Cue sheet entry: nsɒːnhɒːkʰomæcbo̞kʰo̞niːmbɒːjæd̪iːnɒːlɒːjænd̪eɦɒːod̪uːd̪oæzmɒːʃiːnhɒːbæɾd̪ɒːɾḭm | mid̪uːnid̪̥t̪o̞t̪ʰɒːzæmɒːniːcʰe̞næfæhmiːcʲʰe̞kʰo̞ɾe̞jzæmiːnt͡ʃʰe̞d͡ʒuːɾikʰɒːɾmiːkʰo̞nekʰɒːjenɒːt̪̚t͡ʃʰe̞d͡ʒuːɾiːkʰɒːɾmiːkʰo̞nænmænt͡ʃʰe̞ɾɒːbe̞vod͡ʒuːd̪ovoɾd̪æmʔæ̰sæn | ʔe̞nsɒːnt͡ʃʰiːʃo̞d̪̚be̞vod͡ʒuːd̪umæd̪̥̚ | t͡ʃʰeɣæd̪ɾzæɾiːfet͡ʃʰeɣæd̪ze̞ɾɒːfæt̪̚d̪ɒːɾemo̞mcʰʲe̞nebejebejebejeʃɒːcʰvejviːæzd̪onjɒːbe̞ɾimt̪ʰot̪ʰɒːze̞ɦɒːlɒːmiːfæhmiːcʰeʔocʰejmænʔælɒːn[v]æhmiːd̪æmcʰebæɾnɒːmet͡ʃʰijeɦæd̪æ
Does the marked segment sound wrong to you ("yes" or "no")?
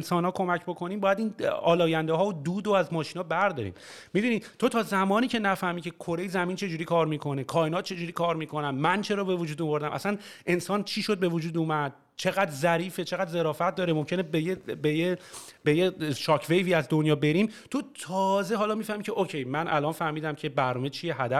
yes